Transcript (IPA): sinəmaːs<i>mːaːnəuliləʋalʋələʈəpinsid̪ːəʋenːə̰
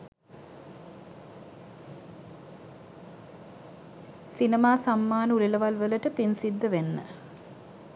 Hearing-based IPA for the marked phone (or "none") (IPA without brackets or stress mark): a